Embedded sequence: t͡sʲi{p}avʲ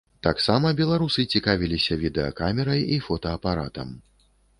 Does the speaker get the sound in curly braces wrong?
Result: yes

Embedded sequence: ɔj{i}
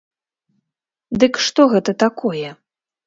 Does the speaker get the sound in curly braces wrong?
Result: yes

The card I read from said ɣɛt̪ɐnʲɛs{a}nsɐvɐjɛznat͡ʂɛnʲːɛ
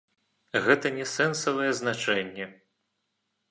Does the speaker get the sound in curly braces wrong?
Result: yes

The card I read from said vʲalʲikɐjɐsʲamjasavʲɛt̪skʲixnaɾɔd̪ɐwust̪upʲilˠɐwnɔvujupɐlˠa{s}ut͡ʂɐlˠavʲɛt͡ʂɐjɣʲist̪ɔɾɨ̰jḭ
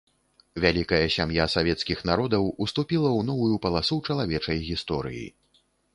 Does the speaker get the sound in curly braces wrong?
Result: no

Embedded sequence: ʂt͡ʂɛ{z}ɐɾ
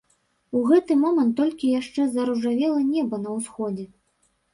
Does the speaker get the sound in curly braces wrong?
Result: no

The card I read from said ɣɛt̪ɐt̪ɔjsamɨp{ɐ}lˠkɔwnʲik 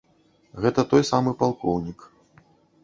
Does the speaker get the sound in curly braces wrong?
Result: yes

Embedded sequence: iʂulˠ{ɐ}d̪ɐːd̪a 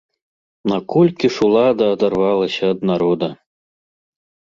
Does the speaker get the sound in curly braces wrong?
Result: yes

